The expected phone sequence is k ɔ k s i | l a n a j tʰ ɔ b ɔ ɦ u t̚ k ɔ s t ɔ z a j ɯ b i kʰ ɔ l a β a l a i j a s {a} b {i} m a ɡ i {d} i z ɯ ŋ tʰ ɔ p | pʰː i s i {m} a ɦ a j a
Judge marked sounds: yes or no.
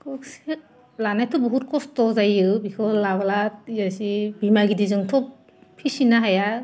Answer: no, yes, yes, no

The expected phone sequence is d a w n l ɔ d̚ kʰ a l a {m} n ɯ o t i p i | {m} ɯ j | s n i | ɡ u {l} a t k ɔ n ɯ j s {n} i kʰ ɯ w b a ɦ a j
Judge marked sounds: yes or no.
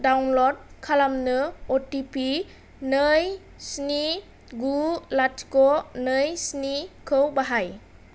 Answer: yes, no, yes, yes

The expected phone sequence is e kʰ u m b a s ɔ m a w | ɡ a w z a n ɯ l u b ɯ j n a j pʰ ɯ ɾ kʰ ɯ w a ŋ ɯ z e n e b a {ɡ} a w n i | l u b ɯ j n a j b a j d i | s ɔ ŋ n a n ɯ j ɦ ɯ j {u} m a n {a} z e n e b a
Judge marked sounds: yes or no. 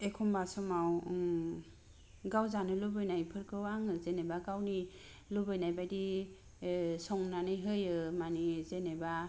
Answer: yes, no, no

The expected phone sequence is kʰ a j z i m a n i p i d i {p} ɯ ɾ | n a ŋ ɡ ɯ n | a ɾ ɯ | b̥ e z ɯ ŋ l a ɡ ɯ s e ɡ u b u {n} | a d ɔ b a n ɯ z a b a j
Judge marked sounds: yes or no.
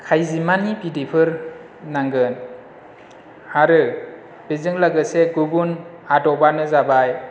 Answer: no, yes

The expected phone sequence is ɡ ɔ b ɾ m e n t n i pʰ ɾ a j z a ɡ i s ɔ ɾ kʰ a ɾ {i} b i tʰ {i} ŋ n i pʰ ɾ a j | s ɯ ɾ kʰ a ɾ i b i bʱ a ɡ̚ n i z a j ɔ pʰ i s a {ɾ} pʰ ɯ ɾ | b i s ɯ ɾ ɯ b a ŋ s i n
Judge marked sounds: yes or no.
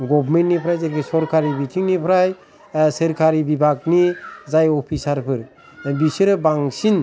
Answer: yes, yes, yes

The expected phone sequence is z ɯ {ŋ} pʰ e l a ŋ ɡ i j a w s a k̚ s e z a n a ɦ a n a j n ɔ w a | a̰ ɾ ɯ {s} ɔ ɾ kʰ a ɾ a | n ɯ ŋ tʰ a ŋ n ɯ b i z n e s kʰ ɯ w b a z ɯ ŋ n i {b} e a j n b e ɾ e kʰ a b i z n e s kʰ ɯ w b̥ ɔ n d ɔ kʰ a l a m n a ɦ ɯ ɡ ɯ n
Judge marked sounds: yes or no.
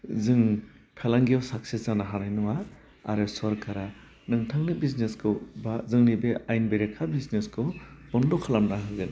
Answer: yes, yes, yes

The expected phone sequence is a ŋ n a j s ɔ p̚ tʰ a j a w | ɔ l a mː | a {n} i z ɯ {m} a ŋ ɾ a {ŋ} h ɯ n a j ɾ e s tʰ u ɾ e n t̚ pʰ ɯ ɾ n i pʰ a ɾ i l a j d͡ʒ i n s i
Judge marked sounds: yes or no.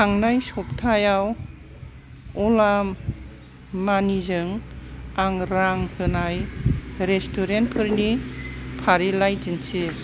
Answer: yes, no, yes

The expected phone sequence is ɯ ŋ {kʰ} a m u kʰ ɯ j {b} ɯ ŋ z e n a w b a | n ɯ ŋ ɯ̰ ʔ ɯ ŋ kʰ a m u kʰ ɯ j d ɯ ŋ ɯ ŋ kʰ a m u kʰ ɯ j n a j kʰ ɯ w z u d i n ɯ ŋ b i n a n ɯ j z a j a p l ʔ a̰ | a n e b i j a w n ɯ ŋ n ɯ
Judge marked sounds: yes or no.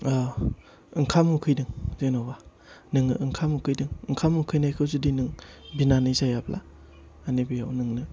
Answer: yes, no

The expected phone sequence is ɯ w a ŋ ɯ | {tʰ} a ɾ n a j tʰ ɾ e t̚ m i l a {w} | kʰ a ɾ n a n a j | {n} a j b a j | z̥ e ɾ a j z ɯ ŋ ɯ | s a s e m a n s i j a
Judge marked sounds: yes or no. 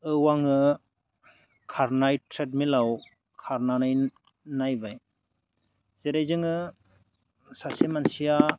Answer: no, yes, yes

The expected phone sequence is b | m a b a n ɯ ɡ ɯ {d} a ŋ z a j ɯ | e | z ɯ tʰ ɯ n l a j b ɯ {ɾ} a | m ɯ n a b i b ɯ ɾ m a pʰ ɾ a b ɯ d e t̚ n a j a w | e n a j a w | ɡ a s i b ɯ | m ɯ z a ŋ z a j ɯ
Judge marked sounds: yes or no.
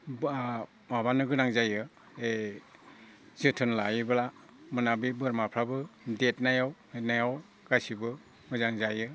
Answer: no, no

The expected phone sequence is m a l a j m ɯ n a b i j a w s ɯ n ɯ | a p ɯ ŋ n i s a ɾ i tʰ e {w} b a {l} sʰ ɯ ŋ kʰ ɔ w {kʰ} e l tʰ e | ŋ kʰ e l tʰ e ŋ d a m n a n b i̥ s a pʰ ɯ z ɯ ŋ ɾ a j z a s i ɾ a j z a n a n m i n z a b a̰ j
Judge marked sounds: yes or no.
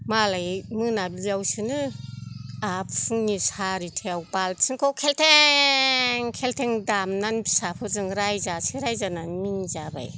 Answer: yes, yes, yes

